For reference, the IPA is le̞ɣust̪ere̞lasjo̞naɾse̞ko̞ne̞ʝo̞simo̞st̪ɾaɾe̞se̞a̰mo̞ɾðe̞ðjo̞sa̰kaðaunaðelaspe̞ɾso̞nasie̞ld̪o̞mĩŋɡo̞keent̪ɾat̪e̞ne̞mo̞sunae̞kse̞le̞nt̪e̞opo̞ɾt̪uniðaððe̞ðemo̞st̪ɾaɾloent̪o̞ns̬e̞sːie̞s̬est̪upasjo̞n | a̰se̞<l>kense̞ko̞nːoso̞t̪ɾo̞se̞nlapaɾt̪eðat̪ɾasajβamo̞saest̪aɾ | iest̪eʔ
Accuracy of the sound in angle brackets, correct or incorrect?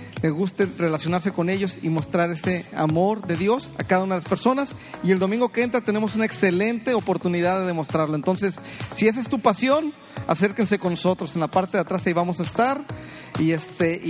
incorrect